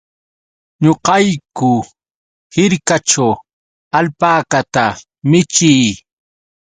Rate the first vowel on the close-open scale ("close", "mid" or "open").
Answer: mid